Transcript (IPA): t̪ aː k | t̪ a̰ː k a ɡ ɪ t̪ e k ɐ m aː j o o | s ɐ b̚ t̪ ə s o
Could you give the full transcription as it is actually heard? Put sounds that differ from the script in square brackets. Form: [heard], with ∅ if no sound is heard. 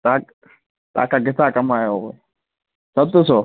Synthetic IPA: t̪ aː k | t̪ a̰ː k a ɡ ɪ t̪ [a] k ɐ m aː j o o | s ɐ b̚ t̪ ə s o